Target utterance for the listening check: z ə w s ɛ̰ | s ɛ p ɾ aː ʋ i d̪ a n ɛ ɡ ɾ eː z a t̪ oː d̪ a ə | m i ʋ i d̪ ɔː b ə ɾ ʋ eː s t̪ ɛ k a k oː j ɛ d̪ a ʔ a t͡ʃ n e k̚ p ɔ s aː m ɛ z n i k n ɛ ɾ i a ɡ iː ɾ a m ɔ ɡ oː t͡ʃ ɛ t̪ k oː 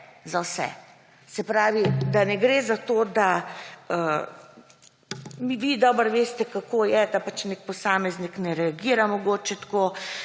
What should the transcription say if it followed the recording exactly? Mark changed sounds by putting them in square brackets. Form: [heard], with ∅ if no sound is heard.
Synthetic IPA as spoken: z [a] w s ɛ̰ | s ɛ p ɾ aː ʋ i d̪ a n ɛ ɡ ɾ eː z a t̪ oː d̪ a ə | m i ʋ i d̪ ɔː b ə ɾ ʋ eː s t̪ ɛ k a k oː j ɛ d̪ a [p] a t͡ʃ n e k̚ p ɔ s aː m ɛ z n i k n ɛ ɾ [ɛ] a ɡ iː ɾ a m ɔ ɡ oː t͡ʃ ɛ t̪ k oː